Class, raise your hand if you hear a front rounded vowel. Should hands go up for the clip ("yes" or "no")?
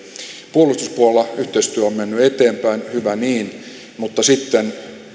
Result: yes